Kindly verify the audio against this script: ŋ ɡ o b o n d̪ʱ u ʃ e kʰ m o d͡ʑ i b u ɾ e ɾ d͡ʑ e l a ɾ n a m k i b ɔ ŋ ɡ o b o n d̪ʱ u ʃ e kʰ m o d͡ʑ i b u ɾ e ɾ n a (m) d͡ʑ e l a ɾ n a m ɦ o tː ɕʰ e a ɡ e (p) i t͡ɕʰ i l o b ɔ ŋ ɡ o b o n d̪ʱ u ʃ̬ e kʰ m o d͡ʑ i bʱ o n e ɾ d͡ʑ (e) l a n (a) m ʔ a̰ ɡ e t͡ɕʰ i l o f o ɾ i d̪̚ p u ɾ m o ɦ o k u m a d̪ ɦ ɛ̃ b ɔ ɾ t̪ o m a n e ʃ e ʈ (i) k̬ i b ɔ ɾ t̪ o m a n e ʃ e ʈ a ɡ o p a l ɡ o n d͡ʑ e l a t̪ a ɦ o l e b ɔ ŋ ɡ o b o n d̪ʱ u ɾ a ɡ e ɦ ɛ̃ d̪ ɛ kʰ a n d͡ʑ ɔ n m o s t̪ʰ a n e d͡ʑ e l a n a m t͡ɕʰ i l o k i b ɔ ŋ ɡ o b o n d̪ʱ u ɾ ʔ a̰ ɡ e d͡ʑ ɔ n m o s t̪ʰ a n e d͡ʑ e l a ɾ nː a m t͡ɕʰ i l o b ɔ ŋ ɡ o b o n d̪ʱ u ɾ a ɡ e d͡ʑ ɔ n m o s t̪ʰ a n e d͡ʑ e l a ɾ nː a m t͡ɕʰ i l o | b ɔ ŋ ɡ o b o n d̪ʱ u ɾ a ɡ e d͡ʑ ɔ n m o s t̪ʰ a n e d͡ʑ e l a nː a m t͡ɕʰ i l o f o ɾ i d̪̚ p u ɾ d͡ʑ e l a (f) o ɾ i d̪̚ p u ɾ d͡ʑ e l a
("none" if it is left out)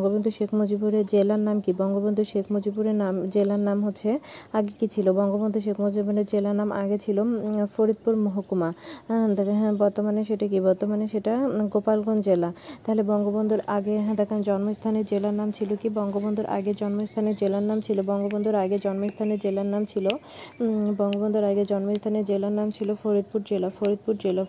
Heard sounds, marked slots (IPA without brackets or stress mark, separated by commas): m, k, e, a, a, f